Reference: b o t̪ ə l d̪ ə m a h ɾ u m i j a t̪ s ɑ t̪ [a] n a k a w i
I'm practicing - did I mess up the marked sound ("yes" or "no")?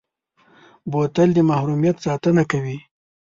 yes